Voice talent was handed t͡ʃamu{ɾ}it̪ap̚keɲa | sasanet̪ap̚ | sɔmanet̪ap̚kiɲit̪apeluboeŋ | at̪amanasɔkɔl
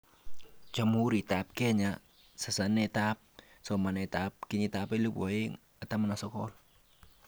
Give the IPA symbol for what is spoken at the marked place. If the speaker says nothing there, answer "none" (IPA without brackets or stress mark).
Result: ɾ